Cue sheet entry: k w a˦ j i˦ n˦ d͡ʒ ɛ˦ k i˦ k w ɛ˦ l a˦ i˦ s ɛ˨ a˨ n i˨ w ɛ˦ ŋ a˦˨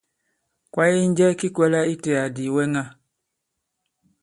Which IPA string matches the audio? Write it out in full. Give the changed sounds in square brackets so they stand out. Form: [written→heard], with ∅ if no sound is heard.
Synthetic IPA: k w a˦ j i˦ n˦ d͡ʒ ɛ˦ k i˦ k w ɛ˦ l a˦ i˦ [s→t] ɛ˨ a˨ [n→d] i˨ w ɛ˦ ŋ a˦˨